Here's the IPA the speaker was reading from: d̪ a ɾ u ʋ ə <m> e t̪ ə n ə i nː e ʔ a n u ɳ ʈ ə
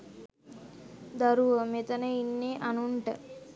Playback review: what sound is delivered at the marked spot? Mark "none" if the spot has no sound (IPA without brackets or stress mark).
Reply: m